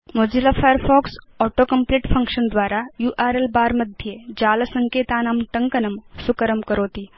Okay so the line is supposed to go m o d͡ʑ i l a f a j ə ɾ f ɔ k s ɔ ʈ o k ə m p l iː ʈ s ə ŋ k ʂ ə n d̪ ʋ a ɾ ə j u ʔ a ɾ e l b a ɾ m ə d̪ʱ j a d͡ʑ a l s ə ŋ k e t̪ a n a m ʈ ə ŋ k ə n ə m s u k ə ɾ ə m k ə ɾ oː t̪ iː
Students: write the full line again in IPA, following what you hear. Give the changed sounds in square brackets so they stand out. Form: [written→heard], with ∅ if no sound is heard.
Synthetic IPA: m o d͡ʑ i l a f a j ə ɾ f ɔ k s ɔ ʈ o k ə m p l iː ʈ [s→f] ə ŋ k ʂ ə n d̪ ʋ a ɾ [ə→a] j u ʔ a ɾ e l b a ɾ m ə d̪ʱ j [a→e] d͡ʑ a l s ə ŋ k e t̪ a n a m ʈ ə ŋ k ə n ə m s u k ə ɾ ə m k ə ɾ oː t̪ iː